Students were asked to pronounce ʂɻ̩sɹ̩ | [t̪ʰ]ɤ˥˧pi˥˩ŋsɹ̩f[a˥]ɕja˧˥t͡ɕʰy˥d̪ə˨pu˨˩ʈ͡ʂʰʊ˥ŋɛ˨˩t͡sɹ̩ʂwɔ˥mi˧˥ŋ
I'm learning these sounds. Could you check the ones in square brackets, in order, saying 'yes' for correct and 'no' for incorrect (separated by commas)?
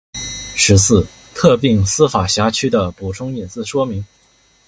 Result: yes, no